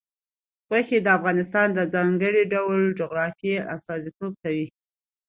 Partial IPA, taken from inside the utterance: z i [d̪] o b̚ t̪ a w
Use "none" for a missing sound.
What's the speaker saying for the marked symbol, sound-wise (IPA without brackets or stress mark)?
t̪